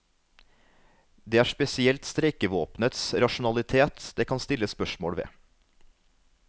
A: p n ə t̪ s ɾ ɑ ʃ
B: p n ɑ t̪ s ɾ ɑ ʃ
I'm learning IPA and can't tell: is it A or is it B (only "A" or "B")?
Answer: A